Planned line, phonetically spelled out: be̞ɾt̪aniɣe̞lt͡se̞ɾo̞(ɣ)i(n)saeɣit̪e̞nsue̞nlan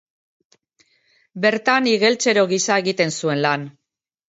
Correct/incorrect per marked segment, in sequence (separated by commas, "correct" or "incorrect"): correct, incorrect